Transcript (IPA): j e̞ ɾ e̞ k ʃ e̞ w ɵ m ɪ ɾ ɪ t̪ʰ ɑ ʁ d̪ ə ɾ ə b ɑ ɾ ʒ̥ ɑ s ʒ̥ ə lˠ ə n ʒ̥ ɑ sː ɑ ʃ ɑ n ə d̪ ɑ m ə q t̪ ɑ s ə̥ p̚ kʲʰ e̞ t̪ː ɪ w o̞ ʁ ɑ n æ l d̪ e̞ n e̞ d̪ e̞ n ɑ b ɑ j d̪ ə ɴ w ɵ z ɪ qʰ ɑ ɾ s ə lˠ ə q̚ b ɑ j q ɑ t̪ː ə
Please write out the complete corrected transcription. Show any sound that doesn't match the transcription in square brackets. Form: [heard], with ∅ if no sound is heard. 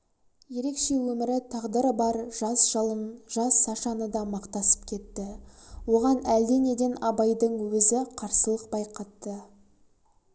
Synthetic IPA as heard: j e̞ ɾ e̞ k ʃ e̞ w ɵ m ɪ ɾ ɪ t̪ʰ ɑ ʁ d̪ ə ɾ ə b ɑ ɾ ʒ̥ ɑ s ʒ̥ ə lˠ ə n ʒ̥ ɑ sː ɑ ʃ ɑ n ə d̪ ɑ m [ɑ] q t̪ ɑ s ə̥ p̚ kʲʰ e̞ t̪ː ɪ w o̞ ʁ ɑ n æ l d̪ e̞ n e̞ d̪ e̞ n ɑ b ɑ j d̪ ə ɴ w ɵ z ɪ qʰ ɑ ɾ s ə lˠ ə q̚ b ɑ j q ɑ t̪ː ə